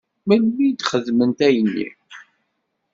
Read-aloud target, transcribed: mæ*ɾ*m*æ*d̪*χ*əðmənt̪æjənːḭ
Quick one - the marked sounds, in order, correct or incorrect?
incorrect: l, incorrect: i, correct

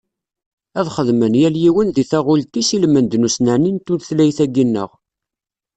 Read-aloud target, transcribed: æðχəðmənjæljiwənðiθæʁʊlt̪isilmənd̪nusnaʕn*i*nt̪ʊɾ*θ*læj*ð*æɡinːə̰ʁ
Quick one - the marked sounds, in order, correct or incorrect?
correct, correct, incorrect: θ

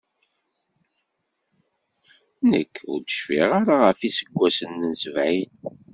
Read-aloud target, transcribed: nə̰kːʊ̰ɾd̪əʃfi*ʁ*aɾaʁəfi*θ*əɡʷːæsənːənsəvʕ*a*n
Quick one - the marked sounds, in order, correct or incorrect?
correct, incorrect: s, incorrect: i

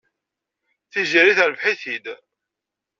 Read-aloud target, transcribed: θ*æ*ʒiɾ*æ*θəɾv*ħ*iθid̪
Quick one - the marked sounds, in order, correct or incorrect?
incorrect: i, incorrect: i, correct

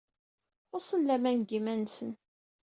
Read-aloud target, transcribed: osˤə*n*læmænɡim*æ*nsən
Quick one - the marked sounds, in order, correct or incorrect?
correct, correct

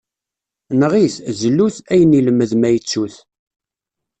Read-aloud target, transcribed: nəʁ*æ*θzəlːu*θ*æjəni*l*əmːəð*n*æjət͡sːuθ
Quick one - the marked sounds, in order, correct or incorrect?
incorrect: i, correct, correct, incorrect: m

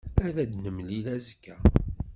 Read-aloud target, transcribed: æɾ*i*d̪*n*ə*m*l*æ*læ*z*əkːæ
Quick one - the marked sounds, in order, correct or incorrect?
incorrect: æ, correct, correct, incorrect: i, correct

